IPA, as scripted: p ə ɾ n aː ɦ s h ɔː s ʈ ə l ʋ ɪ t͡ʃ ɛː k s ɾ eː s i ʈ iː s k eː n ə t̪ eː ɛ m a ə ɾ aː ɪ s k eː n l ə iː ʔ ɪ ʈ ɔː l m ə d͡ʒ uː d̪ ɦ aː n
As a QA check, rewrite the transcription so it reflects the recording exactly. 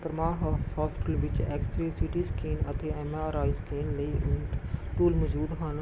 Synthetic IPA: p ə ɾ m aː ɦ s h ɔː s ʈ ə l ʋ ɪ t͡ʃ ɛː k s ɾ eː s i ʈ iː s k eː n ə t̪ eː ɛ m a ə ɾ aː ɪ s k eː n l ə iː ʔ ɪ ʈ uː l m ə d͡ʒ uː d̪ ɦ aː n